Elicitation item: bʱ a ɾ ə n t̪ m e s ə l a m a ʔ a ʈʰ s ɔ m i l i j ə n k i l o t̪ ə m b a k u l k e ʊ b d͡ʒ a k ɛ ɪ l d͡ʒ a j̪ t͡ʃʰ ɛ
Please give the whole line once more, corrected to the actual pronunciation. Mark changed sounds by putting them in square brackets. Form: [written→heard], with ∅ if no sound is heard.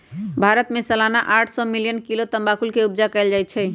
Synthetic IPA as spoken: bʱ a ɾ ə [n→∅] t̪ m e s ə l a [m→n] a ʔ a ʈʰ s ɔ m i l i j ə n k i l o t̪ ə m b a k u l k e [ʊ→u] b d͡ʒ a k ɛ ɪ l d͡ʒ a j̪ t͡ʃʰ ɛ

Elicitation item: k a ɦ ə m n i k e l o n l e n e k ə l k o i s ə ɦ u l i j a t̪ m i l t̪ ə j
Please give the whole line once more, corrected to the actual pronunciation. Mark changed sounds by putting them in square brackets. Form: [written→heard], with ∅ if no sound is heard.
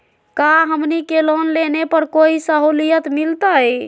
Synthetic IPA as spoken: k a ɦ ə m n i k e l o n l e n e [k→p] ə [l→ɾ] k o i s ə ɦ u l i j [a→ə] t̪ m i l t̪ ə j

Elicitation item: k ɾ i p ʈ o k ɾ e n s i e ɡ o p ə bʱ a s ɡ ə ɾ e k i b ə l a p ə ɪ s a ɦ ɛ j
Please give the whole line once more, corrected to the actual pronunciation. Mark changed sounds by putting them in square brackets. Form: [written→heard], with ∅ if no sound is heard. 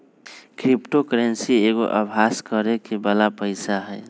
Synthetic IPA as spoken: k ɾ i p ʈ o k ɾ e n s i e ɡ o [p→ʔ] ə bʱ a s [ɡ→k] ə ɾ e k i b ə l a p ə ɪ s a ɦ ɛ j

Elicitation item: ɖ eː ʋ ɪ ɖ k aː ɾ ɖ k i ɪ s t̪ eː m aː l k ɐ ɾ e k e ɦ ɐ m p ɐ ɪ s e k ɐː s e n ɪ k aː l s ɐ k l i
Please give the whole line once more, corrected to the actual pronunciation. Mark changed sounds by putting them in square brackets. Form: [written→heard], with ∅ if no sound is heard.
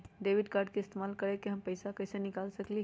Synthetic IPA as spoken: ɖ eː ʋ ɪ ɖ k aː ɾ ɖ k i ɪ s t̪ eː m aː l k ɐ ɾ e k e ɦ ɐ m p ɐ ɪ s [e→a] k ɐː s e n ɪ k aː l s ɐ k l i

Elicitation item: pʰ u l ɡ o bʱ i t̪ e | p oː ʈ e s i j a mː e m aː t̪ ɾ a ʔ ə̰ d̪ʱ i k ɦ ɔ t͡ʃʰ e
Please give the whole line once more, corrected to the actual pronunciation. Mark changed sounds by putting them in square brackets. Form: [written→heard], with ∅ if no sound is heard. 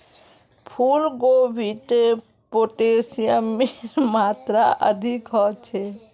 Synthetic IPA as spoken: pʰ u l ɡ o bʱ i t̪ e | p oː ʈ e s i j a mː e m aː t̪ ɾ a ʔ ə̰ d̪ʱ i k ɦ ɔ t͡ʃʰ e

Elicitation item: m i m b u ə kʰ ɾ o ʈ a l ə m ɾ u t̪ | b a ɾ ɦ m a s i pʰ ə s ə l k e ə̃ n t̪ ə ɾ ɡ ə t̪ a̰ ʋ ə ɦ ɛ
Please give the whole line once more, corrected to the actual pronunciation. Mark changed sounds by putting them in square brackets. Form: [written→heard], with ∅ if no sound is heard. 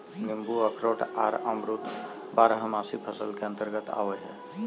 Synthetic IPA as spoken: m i m b u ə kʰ ɾ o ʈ a [l→ɾ] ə m ɾ u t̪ | b a ɾ ɦ m a s i pʰ ə s ə l k e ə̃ n t̪ ə ɾ ɡ ə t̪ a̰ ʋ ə ɦ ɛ

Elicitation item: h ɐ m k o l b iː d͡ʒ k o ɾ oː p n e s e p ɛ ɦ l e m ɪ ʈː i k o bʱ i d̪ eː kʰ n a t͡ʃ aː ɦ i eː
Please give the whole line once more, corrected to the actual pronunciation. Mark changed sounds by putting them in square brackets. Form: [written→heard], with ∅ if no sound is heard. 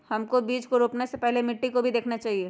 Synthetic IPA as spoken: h ɐ m k o [l→∅] b iː d͡ʒ k o ɾ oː p n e s e p ɛ ɦ l e m ɪ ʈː i k o bʱ i d̪ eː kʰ n a t͡ʃ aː ɦ i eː

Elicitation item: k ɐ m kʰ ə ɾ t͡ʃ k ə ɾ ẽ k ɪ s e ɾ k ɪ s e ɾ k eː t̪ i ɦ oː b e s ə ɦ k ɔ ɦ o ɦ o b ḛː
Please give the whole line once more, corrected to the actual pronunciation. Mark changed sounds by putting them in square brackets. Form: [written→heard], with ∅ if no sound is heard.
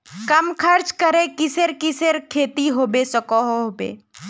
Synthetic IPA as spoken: k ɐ m kʰ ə ɾ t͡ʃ k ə ɾ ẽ k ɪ s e ɾ k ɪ s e ɾ [k→kʰ] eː t̪ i ɦ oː b e s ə [ɦ→∅] k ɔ ɦ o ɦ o b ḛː

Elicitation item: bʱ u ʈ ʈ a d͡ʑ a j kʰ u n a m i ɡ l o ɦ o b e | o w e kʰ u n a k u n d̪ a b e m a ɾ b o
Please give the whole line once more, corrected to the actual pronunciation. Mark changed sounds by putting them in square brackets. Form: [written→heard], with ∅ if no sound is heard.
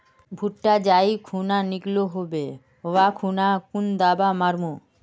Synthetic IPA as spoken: bʱ u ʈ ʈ a d͡ʑ a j kʰ u n a [m→n] i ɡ l o ɦ o b e | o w [e→a] kʰ u n a k u n d̪ a b [e→a] m a ɾ [b→m] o

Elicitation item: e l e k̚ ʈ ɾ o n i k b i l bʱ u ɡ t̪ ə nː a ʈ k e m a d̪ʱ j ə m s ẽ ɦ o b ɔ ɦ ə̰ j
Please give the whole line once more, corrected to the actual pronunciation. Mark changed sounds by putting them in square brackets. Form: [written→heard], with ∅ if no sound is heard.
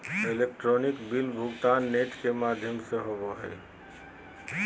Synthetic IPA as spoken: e l e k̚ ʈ ɾ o n i k b i l bʱ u ɡ t̪ [ə→a] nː [a→e] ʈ k e m a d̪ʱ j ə m s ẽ ɦ o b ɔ ɦ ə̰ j

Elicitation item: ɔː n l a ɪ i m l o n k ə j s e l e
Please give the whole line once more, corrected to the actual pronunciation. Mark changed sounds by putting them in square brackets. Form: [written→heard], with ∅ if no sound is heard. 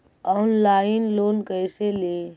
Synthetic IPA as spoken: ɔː n l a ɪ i [m→n] l o n k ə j s e l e

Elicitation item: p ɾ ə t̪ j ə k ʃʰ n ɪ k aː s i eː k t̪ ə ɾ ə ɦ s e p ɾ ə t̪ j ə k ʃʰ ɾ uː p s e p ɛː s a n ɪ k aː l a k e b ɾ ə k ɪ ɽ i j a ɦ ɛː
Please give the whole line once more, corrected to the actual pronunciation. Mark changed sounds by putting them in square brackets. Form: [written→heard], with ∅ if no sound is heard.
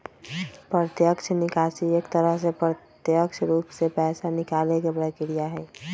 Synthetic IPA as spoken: p ɾ ə t̪ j ə k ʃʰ n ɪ k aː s i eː k t̪ ə ɾ ə ɦ s e p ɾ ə t̪ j ə k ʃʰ ɾ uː p s e p ɛː s a n ɪ k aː l [a→e] k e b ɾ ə k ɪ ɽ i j a ɦ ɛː

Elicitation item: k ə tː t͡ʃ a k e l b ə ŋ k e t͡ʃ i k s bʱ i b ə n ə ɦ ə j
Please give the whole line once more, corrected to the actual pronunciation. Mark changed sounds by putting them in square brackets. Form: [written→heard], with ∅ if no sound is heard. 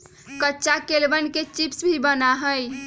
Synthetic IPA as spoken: k ə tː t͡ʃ a k e l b ə [ŋ→n] k e t͡ʃ i [k→p] s bʱ i b ə n [ə→a] ɦ ə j

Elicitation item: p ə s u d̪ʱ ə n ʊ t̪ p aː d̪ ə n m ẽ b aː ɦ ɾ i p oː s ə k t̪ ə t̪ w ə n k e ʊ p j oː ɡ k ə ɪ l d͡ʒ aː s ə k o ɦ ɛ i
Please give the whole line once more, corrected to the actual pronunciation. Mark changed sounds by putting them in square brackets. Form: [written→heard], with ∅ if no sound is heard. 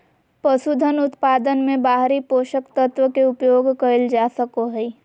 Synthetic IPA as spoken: p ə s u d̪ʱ ə n ʊ t̪ p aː d̪ ə n m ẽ b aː ɦ ɾ i p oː [s→ʃ] ə k t̪ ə t̪ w ə [n→∅] k e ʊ p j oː ɡ k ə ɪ l d͡ʒ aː s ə k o ɦ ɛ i

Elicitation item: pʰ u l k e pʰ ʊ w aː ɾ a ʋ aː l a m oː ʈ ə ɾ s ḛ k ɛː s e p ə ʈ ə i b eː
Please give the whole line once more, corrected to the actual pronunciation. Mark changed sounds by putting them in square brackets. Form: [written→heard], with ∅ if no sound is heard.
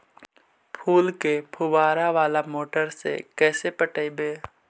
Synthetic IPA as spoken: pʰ [u→uː] l k e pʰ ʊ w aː ɾ a ʋ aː l a m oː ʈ ə ɾ s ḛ k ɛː s e p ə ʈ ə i b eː

